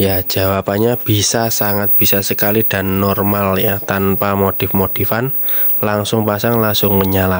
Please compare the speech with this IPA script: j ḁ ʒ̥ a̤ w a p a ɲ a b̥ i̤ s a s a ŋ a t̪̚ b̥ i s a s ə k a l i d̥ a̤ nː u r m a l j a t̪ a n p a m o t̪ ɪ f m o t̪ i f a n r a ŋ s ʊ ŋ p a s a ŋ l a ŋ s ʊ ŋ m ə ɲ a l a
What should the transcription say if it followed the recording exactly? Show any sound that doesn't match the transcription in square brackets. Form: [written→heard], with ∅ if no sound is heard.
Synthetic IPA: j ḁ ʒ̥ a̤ w a p a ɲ a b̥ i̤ s a s a ŋ a t̪̚ b̥ i s a s ə k a l i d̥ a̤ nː [u→ɔ] r m a l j a t̪ a n p a m o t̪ ɪ f m o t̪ i f a n [r→l] a ŋ s ʊ ŋ p a s a ŋ l a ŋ s ʊ ŋ m ə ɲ a l a